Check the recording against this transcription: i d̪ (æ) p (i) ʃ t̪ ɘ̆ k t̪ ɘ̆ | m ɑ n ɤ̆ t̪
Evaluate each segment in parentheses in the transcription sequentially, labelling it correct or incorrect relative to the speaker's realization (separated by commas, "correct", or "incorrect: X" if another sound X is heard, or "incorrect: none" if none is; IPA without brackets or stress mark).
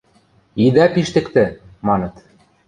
correct, correct